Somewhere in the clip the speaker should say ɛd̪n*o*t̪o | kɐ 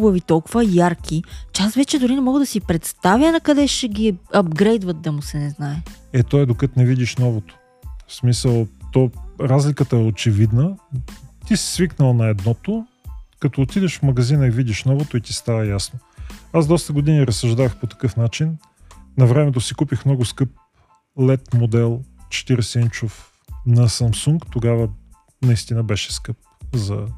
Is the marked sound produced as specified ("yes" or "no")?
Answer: no